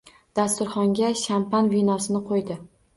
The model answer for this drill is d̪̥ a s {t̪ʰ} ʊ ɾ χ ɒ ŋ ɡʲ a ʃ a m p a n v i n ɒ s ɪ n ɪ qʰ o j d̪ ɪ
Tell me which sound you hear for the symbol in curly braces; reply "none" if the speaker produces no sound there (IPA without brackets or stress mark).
t̪